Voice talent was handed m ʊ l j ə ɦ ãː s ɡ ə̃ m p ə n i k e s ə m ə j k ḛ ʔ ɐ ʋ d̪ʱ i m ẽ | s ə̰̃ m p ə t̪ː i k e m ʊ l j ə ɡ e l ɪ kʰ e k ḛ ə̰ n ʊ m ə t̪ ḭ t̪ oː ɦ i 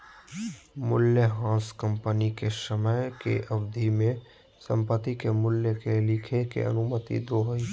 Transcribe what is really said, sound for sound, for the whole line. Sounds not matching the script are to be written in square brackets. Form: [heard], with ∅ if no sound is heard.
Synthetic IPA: m ʊ l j ə ɦ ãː s [k] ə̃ m p ə n i k e s ə m ə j k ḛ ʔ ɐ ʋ d̪ʱ i m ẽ | s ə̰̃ m p ə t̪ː i k e m ʊ l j ə [k] e l ɪ kʰ e k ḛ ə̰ n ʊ m ə t̪ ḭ [d̪] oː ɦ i

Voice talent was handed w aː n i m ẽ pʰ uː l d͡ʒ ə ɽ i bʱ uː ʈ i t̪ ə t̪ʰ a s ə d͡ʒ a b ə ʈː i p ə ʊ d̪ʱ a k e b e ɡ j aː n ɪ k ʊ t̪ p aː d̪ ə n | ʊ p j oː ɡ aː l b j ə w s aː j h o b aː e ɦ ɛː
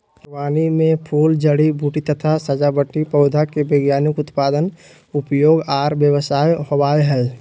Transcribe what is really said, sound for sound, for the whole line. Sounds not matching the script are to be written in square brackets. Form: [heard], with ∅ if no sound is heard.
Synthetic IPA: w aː n i m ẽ pʰ uː l d͡ʒ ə ɽ i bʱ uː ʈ i t̪ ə t̪ʰ a s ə d͡ʒ a b ə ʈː i p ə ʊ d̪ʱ a k e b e ɡ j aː n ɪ k ʊ t̪ p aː d̪ ə n | ʊ p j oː ɡ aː [ɾ] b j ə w s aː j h o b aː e ɦ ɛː

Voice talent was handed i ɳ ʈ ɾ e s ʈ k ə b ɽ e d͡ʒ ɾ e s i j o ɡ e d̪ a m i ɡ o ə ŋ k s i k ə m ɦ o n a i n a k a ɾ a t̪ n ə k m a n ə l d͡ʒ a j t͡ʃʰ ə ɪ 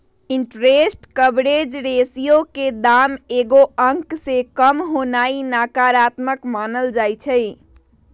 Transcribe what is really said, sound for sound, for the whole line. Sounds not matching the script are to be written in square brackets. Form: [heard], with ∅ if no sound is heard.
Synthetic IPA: i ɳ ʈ ɾ e s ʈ k ə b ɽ e d͡ʒ ɾ e s i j o [k] e d̪ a m [e] ɡ o ə ŋ k s [e] k ə m ɦ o n a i n a k a ɾ a t̪ [m] ə k m a n ə l d͡ʒ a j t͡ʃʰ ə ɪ

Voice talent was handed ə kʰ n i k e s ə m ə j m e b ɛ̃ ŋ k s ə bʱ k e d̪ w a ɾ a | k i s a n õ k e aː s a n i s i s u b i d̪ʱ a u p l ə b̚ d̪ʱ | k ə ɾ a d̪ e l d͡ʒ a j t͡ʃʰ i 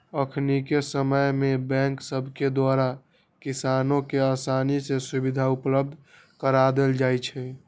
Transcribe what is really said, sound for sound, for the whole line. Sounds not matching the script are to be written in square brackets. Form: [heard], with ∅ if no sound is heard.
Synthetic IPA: ə kʰ n i k e s ə m ə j m e b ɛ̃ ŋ k s ə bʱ k e d̪ w a ɾ a | k i s a n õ k e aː s a n i s [e] s u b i d̪ʱ a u p l ə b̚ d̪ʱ | k ə ɾ a d̪ e l d͡ʒ a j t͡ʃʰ [ɛ]

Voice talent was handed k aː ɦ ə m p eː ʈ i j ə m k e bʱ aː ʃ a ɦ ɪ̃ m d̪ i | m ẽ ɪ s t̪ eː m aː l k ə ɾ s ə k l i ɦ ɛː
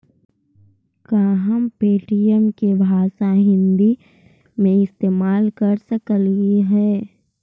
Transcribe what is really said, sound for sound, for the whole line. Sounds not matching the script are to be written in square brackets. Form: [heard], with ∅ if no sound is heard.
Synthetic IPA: k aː ɦ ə m p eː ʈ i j ə m k e bʱ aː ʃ a ɦ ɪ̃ [n] d̪ i | m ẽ ɪ s t̪ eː m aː l k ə ɾ s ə k l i ɦ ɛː

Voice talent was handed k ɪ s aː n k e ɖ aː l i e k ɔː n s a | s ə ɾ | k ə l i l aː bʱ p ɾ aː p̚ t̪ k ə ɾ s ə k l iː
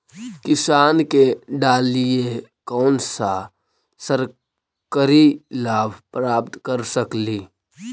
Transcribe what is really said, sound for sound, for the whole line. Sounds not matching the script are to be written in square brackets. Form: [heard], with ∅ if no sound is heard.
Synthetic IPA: k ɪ s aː n k e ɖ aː l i e k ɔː n s a | s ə ɾ | k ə [ɾ] i l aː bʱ p ɾ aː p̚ t̪ k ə ɾ s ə k l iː

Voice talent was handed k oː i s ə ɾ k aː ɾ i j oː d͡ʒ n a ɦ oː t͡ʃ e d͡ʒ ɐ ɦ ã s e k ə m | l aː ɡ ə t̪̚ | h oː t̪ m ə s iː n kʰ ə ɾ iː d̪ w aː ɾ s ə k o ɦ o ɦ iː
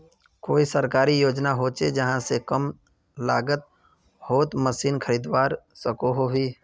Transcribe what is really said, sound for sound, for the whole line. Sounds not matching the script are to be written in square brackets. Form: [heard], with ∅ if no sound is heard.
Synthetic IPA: k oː i s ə ɾ k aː ɾ i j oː d͡ʒ n a ɦ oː t͡ʃ e d͡ʒ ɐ ɦ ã s e k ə m | l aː ɡ ə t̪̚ | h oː t̪ m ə s iː n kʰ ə ɾ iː d̪ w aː ɾ s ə k o ɦ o ɦ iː

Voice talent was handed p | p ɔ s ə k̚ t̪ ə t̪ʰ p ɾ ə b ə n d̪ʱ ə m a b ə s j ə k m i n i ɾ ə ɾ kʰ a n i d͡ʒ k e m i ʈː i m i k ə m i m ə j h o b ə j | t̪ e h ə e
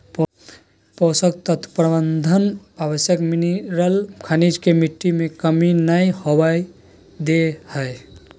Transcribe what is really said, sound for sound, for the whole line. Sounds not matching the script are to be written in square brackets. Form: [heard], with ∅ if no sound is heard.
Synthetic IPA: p | p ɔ s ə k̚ t̪ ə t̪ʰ p ɾ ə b ə n d̪ʱ ə [n] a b ə s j ə k m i n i ɾ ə [l] kʰ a n i d͡ʒ k e m i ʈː i m [e] k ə m i [n] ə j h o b [a] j | [d̪] e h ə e

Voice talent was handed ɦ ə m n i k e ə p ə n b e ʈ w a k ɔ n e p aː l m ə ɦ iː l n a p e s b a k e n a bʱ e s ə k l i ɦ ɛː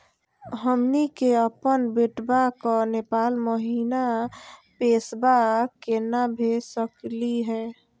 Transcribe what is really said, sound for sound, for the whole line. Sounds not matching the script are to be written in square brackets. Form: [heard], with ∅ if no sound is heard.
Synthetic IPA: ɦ ə m n i k e ə p ə n b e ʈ [b] a k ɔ n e p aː l m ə ɦ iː [∅] n a p e s b a k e n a bʱ e s ə k l i ɦ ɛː

